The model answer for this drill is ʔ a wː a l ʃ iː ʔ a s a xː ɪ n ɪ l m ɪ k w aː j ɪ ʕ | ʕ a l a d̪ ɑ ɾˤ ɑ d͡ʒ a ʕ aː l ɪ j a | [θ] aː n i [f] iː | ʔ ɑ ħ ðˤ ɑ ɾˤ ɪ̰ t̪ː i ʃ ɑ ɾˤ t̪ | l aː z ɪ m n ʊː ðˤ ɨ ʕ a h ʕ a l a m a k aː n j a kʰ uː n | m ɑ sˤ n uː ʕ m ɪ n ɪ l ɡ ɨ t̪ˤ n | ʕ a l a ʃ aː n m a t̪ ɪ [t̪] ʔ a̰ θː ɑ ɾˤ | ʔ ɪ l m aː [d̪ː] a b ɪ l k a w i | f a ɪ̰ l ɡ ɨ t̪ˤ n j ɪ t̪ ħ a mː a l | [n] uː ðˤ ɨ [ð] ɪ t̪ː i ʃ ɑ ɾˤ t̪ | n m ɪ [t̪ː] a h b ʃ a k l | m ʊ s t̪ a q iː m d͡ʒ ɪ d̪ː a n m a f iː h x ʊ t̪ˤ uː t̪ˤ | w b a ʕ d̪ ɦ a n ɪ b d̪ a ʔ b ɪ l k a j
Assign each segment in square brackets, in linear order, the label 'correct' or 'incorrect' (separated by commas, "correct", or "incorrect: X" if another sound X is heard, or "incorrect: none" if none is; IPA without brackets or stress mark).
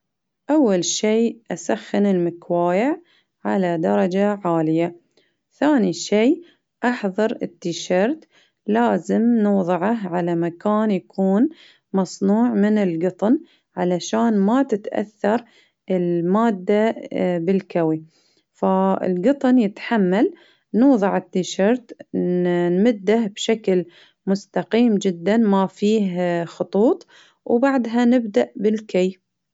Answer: correct, incorrect: ʃ, correct, correct, correct, incorrect: ʕ, incorrect: d̪ː